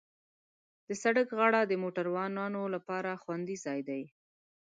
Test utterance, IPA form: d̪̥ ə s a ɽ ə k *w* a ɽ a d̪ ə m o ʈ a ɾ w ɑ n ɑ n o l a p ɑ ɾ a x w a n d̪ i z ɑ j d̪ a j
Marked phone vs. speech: incorrect: ɣ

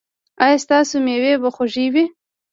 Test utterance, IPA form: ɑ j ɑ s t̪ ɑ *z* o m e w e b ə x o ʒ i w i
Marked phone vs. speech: incorrect: s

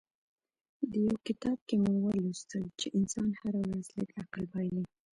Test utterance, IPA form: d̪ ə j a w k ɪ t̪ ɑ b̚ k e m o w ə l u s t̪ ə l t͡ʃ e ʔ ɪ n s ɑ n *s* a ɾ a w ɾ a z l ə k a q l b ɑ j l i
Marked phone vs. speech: incorrect: h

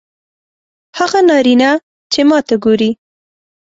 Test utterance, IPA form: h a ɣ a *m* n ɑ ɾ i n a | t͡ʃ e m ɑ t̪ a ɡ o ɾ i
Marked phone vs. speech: incorrect: none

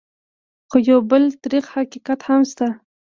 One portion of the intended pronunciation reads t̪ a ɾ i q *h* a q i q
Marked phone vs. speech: correct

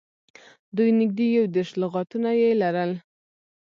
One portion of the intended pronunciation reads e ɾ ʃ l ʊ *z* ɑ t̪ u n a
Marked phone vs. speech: incorrect: ɣ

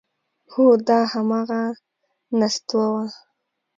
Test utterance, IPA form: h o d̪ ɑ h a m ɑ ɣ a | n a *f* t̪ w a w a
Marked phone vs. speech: incorrect: s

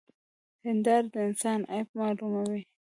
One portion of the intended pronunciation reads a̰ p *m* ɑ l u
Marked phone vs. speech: correct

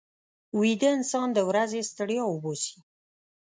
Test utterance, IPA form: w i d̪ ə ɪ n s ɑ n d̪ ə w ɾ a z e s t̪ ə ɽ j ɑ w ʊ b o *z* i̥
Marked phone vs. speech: incorrect: s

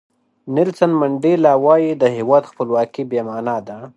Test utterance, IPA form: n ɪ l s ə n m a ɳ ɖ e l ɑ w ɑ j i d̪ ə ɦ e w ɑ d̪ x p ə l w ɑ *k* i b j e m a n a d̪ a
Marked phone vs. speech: correct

